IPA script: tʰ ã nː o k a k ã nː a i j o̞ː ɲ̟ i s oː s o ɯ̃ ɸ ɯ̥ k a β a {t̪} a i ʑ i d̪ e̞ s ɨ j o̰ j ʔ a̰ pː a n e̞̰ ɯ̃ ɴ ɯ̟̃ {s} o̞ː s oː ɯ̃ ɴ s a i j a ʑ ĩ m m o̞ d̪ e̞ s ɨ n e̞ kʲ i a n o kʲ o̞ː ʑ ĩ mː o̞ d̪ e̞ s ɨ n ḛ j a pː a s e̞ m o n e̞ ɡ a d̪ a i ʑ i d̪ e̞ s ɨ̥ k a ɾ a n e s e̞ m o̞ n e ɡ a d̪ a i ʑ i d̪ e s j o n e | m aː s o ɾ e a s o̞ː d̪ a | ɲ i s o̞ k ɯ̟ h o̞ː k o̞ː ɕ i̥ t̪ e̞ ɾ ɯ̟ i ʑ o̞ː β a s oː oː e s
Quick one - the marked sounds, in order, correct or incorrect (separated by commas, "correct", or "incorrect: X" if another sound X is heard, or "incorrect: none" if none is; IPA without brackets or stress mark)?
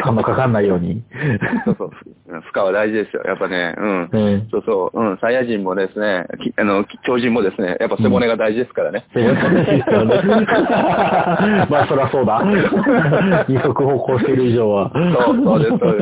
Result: incorrect: d̪, correct